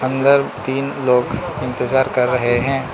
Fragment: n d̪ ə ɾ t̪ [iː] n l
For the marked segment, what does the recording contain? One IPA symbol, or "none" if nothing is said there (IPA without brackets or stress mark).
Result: iː